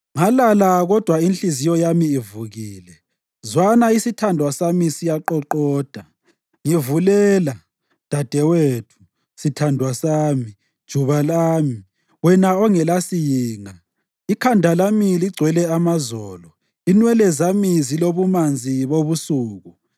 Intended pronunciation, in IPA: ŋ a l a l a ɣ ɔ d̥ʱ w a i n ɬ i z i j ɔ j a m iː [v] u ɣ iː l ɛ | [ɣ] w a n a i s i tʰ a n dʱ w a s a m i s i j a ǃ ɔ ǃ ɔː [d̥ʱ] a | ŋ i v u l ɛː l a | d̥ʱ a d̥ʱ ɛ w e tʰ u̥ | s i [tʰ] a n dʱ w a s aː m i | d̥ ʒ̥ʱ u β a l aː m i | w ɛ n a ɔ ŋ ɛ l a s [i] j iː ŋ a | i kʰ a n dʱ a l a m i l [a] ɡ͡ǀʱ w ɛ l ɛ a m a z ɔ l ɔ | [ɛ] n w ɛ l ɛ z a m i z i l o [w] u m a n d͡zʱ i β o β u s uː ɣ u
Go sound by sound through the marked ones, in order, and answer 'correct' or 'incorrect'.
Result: correct, incorrect: z, correct, correct, correct, incorrect: i, incorrect: i, incorrect: β

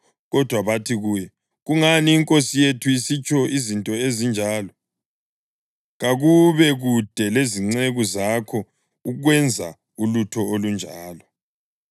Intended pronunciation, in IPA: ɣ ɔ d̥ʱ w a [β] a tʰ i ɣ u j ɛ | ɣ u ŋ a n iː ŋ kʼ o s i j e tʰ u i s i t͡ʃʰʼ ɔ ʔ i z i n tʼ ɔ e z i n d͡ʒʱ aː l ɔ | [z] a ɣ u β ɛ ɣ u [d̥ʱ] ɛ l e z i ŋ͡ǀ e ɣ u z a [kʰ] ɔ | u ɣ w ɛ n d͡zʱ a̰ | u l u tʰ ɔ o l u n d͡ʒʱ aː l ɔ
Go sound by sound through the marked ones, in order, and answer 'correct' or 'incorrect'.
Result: correct, incorrect: ɣ, correct, correct

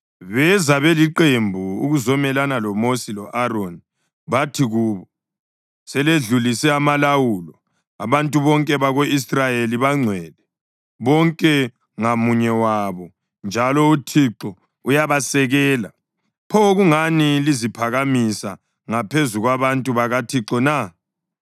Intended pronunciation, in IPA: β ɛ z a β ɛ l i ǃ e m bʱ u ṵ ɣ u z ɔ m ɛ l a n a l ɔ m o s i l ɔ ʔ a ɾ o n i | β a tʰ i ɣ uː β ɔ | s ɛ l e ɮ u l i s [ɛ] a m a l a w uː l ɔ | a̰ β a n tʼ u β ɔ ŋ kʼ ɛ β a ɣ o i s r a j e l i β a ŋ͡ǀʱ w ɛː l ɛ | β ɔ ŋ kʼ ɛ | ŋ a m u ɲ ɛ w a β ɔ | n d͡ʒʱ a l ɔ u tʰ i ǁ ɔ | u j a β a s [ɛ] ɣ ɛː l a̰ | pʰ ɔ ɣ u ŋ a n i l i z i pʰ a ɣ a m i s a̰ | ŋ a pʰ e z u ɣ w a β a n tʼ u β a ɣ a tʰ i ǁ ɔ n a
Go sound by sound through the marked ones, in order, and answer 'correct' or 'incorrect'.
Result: correct, correct

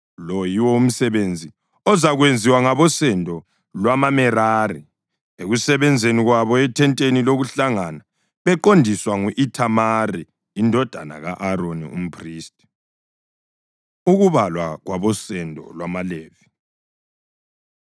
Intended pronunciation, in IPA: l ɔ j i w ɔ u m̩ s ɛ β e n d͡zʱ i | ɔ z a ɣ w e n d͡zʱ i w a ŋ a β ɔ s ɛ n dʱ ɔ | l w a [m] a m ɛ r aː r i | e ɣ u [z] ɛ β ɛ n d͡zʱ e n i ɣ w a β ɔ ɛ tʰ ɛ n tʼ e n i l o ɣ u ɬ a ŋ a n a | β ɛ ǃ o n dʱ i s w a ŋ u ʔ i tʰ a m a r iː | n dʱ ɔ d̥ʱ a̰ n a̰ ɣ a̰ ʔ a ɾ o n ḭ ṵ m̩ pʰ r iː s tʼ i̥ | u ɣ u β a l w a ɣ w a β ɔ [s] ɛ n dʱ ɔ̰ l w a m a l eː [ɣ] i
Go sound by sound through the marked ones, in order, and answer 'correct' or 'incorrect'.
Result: correct, incorrect: s, correct, incorrect: v

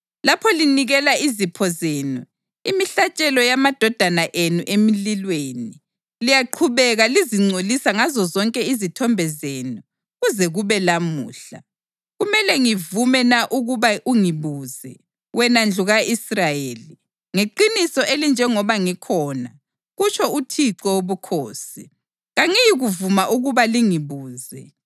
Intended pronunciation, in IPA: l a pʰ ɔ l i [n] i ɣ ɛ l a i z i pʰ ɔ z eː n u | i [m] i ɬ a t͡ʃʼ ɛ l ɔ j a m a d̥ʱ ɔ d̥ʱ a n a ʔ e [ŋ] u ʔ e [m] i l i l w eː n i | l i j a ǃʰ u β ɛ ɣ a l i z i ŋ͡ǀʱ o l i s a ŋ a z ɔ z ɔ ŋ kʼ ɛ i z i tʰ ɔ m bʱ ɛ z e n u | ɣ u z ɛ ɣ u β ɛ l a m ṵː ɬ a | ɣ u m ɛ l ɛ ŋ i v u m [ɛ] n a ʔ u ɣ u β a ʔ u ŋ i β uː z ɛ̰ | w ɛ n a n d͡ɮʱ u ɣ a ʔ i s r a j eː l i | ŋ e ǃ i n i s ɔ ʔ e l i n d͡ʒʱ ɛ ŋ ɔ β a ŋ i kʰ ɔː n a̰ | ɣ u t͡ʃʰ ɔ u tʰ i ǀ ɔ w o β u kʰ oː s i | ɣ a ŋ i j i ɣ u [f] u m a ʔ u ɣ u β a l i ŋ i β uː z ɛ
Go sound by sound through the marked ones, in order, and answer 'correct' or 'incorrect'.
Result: correct, correct, incorrect: n, correct, correct, incorrect: v

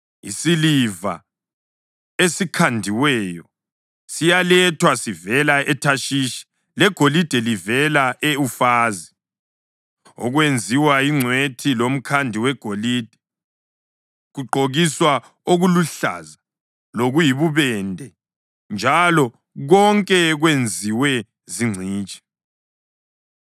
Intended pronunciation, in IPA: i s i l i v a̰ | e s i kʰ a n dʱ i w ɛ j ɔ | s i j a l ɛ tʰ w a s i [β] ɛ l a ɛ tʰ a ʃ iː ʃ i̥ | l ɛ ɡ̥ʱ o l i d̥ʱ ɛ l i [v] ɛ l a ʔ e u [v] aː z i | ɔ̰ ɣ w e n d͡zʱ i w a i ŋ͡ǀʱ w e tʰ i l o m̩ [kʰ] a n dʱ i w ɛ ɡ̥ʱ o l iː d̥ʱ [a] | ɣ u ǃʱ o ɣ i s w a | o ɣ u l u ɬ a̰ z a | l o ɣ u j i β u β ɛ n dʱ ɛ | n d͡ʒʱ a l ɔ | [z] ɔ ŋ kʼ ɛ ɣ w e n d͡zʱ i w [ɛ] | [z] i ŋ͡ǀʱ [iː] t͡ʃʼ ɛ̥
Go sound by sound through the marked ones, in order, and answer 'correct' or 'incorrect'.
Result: incorrect: v, correct, incorrect: f, correct, incorrect: ɛ, incorrect: ɣ, correct, correct, correct

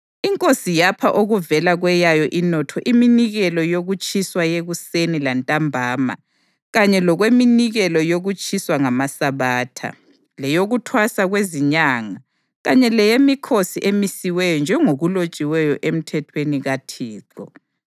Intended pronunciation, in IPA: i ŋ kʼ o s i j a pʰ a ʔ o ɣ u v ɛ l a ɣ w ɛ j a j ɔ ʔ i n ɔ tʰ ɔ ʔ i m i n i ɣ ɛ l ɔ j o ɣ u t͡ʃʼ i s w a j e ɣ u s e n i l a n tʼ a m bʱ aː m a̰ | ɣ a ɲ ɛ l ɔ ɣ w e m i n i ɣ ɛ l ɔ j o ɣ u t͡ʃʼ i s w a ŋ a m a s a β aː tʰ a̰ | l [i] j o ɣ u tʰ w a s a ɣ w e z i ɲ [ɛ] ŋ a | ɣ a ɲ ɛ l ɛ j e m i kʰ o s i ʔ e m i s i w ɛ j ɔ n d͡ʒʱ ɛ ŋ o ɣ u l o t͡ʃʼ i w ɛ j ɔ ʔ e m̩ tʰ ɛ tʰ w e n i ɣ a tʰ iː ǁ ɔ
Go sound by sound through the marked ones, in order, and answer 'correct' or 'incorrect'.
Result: incorrect: ɛ, incorrect: a

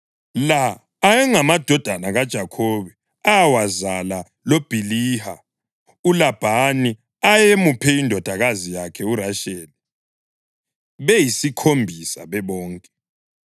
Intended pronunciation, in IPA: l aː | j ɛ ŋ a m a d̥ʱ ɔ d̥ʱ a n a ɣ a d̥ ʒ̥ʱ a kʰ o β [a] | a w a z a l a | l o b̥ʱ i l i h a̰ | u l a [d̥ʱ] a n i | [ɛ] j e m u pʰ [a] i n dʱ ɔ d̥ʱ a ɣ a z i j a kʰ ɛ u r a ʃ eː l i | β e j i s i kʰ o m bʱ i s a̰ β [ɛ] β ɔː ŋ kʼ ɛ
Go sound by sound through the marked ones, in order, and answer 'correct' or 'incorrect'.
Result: incorrect: ɛ, incorrect: b̥ʱ, incorrect: a, incorrect: ɛ, correct

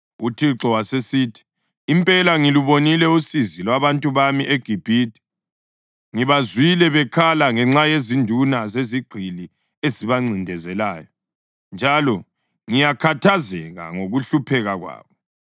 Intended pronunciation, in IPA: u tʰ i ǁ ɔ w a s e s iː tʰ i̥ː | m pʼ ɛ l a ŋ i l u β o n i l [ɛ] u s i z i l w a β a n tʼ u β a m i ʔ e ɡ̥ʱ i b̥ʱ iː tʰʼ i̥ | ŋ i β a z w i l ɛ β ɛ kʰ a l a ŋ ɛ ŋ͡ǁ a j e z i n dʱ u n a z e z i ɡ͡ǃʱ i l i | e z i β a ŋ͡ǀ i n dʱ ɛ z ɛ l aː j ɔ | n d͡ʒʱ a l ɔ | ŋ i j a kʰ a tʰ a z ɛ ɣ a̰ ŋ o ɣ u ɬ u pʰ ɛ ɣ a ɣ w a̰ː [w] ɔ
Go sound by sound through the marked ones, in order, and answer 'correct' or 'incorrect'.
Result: correct, incorrect: β

